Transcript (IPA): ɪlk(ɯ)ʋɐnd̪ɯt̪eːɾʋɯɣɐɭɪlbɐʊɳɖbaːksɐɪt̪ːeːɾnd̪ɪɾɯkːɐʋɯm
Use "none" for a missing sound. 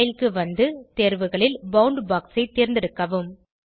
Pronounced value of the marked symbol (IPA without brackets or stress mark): ɯ